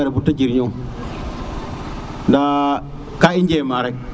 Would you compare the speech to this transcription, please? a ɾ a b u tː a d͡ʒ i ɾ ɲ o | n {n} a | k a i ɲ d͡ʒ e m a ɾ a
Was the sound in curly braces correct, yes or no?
no